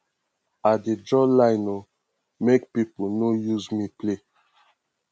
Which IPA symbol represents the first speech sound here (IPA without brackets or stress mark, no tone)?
a